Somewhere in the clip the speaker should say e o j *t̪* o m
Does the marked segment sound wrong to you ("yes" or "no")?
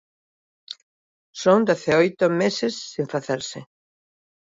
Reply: no